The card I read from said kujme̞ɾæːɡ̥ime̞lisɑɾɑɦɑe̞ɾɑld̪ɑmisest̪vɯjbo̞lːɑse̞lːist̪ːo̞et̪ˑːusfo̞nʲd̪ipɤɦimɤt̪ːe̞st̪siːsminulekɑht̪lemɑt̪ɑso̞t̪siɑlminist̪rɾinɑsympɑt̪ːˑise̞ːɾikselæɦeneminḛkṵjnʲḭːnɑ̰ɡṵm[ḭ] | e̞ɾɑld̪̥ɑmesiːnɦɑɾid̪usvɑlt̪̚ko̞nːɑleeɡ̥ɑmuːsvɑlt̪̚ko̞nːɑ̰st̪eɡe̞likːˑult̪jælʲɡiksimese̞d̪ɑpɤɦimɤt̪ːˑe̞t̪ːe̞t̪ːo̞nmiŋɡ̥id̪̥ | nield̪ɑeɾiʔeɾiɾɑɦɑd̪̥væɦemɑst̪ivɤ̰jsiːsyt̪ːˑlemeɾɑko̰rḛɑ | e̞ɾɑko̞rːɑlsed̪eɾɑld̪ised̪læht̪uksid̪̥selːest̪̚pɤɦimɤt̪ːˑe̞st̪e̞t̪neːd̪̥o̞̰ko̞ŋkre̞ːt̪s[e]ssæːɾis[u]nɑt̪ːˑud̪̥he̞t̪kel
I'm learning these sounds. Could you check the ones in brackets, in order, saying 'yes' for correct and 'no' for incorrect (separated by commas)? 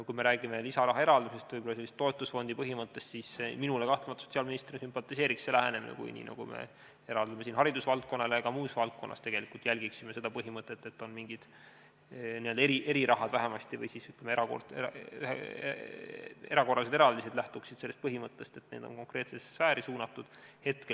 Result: no, yes, no